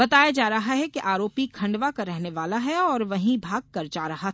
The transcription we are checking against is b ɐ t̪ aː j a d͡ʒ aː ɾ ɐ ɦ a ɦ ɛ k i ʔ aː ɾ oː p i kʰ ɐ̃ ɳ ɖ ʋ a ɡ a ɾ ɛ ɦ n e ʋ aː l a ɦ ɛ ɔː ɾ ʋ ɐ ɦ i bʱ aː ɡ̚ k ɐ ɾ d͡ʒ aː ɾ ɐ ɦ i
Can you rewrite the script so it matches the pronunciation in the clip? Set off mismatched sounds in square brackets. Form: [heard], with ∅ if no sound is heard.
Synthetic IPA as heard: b ɐ t̪ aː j a d͡ʒ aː ɾ ɐ ɦ a ɦ ɛ k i ʔ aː ɾ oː p i kʰ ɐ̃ ɳ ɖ ʋ a [k] a ɾ ɛ ɦ n e ʋ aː l a ɦ ɛ ɔː ɾ ʋ ɐ ɦ [ĩ] bʱ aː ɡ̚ k ɐ ɾ d͡ʒ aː ɾ ɐ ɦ [a]